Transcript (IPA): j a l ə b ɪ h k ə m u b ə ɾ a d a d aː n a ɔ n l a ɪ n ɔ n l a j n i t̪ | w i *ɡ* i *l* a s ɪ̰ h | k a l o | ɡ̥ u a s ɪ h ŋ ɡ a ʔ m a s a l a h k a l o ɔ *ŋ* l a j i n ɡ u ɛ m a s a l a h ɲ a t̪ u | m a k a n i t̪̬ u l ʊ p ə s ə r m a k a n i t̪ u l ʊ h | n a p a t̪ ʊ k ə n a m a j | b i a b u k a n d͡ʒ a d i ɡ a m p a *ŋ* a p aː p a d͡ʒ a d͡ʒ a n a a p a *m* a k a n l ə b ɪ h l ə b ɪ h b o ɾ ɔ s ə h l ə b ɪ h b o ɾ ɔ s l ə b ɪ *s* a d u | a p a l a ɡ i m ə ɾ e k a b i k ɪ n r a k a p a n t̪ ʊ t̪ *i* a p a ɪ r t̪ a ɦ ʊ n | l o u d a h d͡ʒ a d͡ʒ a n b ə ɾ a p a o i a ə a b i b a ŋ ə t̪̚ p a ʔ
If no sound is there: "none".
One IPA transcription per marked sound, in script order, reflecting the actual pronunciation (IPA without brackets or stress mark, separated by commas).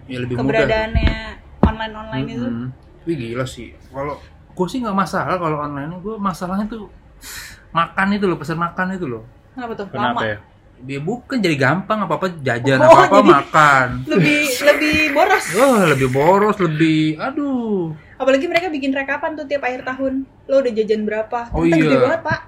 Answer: ɡ, l, n, ŋ, m, h, i